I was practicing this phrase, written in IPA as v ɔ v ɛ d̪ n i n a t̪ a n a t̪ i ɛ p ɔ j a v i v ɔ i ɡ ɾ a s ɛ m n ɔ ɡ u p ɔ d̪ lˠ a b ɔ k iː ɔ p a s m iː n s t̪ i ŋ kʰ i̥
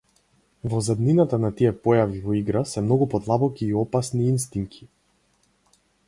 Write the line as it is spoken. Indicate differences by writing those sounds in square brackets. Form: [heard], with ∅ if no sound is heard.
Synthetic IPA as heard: v ɔ [z] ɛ d̪ n i n a t̪ a n a t̪ i ɛ p ɔ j a v i v ɔ i ɡ ɾ a s ɛ m n ɔ ɡ u p ɔ d̪ lˠ a b ɔ k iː ɔ p a s [n] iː n s t̪ i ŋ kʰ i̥